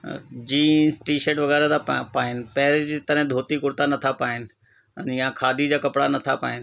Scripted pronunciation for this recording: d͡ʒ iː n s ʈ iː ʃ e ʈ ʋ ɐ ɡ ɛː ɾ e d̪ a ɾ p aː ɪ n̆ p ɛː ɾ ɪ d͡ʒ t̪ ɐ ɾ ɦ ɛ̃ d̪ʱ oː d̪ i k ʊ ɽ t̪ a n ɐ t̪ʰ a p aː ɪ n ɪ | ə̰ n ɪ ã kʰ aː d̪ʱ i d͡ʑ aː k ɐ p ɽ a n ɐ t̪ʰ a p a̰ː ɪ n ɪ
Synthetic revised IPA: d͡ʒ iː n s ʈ iː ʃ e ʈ ʋ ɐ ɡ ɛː ɾ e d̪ a p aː ɪ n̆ p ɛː ɾ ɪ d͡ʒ t̪ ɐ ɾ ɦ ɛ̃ d̪ʱ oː t̪ i k ʊ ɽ t̪ a n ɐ t̪ʰ a p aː ɪ n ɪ | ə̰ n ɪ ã kʰ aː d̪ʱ i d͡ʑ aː k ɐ p ɽ a n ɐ t̪ʰ a p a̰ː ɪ n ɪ